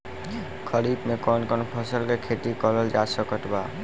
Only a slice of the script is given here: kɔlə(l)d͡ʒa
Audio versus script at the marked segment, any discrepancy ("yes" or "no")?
no